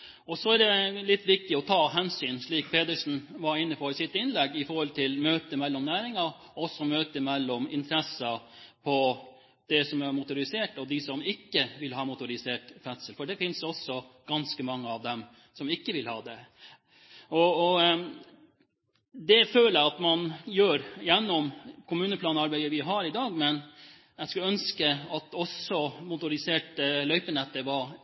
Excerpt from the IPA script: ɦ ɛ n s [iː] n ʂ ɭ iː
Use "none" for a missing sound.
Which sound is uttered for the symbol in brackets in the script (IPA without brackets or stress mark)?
yː